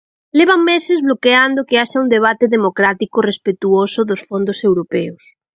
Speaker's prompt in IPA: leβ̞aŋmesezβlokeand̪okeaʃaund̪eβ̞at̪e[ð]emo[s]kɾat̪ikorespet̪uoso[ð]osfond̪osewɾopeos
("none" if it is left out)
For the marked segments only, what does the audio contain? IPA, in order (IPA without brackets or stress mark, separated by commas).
ð, none, ð